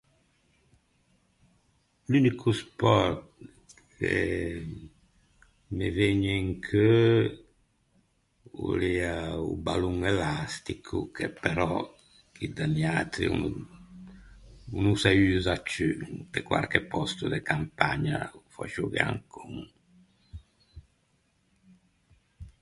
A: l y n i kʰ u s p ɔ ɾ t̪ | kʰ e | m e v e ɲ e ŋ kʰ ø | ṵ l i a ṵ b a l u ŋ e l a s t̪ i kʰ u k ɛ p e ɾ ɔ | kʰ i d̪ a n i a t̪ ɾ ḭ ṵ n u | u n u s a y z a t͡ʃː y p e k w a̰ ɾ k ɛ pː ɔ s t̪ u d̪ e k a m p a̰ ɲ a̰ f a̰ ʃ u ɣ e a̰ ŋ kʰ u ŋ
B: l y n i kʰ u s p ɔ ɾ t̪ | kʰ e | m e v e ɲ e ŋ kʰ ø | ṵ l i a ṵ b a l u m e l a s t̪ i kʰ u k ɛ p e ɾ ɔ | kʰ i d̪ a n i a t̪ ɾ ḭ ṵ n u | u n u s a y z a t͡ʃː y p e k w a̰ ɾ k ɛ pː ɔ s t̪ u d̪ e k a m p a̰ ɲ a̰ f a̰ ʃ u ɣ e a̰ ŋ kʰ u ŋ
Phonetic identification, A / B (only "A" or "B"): A